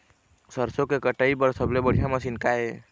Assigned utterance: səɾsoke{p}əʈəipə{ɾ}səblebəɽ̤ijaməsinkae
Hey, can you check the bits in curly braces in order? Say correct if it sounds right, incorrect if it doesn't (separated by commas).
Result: incorrect, correct